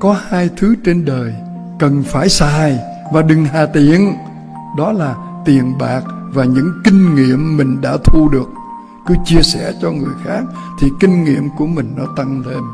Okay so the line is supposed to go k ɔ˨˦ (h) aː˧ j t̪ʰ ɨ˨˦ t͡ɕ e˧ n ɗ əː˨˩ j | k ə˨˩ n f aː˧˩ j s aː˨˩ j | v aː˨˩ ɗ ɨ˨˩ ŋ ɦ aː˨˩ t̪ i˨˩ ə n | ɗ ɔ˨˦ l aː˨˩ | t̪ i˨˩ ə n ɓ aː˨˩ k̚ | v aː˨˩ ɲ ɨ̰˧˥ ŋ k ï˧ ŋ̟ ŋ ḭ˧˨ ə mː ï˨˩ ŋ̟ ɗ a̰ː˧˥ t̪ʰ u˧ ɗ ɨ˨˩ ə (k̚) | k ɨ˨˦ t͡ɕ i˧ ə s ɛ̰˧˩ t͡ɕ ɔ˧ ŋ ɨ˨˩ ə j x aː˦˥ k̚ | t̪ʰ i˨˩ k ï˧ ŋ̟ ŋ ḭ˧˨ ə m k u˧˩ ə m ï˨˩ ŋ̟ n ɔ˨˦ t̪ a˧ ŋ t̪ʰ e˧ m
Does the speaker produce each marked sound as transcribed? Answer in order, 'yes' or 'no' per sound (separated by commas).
yes, yes